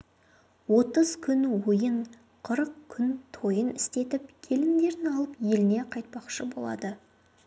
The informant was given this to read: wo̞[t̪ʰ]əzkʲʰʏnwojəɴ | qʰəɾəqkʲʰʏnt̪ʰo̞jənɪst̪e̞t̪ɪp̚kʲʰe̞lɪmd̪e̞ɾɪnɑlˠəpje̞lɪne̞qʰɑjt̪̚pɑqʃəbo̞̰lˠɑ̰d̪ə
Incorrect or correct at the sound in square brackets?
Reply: incorrect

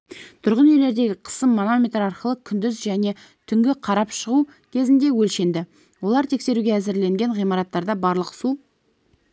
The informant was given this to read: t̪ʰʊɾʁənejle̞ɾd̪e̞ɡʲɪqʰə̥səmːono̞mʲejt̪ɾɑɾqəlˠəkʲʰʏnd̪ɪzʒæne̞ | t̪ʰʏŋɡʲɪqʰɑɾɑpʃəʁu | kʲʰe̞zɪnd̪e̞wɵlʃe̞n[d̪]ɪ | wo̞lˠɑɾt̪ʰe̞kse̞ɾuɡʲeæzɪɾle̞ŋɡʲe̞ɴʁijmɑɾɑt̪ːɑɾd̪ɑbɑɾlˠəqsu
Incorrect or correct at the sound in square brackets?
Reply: correct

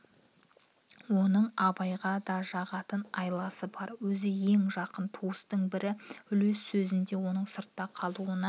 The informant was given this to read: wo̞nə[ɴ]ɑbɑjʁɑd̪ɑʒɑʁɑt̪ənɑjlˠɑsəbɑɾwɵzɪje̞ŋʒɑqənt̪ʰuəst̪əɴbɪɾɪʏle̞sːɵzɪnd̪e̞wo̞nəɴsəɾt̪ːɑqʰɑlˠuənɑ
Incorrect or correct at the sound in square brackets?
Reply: correct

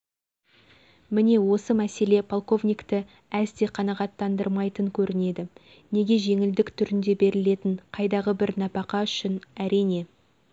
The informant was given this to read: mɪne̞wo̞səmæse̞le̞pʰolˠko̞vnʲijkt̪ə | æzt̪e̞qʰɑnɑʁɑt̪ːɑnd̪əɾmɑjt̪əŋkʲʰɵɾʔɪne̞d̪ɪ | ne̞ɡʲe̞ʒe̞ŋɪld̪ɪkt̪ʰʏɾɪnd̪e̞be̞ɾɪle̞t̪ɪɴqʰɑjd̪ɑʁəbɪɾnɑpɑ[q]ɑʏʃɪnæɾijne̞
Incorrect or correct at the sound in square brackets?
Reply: correct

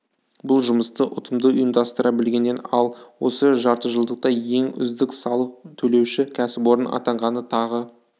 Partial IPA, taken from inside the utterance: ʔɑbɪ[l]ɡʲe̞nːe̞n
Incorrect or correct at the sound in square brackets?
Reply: correct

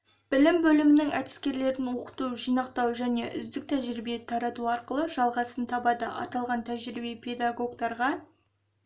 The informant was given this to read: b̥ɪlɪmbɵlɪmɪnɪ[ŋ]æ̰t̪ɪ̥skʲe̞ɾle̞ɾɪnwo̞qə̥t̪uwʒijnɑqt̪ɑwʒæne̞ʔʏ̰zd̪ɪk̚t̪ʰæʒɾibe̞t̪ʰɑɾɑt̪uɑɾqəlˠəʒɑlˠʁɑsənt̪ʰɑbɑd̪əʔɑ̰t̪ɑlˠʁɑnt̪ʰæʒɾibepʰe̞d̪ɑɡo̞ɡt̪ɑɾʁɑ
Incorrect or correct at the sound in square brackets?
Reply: correct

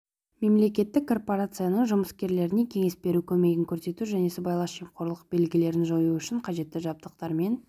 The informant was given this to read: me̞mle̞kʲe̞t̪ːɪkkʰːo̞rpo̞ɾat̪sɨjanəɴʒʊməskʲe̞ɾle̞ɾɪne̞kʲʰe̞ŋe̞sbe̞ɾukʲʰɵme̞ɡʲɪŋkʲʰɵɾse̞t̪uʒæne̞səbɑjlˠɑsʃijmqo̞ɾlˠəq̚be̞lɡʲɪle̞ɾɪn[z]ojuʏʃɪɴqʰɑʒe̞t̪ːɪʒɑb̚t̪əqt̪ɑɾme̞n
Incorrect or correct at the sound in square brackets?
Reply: incorrect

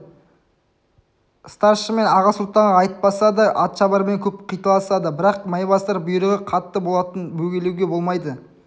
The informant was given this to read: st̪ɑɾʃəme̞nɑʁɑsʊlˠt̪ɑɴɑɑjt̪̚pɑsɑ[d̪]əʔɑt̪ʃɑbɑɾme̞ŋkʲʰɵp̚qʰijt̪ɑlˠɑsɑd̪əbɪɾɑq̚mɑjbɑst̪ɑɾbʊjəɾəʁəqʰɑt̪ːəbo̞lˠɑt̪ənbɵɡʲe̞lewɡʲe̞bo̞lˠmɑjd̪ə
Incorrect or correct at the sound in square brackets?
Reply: correct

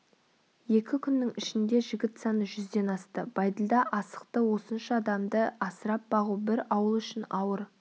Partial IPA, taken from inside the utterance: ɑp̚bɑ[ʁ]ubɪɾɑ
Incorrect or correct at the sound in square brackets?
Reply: correct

